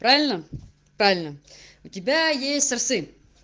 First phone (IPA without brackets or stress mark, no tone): p